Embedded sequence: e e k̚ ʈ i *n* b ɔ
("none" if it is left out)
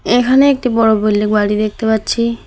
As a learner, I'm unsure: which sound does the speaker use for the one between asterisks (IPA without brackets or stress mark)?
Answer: none